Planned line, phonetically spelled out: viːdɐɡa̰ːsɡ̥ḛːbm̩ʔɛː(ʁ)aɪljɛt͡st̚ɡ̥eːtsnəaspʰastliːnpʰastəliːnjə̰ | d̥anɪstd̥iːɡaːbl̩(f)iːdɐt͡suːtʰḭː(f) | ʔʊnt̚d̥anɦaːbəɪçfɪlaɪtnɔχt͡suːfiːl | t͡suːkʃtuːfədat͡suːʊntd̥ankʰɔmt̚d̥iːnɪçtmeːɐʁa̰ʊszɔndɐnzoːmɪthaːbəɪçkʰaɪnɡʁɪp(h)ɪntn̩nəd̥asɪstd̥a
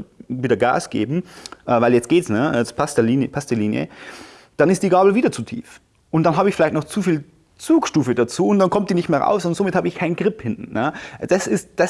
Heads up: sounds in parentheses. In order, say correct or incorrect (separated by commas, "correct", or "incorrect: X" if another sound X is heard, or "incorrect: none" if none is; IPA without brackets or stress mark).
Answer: incorrect: v, incorrect: v, correct, correct